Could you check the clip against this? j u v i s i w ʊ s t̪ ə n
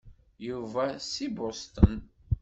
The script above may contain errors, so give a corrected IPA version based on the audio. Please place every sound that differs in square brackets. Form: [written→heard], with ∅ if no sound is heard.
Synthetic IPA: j u v [i→æ] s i [w→b] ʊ s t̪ ə n